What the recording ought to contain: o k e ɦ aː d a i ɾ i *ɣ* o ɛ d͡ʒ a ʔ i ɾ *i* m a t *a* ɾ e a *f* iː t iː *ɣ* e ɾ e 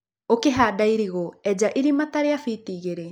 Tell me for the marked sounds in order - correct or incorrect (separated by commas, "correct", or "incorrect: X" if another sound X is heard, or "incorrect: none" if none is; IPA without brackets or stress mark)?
correct, correct, correct, correct, correct